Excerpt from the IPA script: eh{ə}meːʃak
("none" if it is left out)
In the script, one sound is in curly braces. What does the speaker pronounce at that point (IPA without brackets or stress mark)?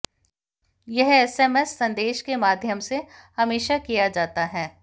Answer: ɐ